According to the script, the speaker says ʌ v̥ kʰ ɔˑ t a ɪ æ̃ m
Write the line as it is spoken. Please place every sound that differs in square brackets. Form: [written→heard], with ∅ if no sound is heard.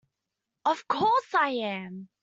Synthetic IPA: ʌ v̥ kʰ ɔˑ [t→s] a ɪ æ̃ m